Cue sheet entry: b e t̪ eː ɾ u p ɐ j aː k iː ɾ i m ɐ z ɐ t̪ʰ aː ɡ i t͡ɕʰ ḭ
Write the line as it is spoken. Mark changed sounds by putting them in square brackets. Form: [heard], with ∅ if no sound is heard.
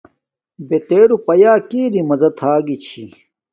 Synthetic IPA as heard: b e t̪ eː ɾ u p ɐ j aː k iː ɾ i m ɐ z ɐ t̪ʰ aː ɡ i t͡ɕʰ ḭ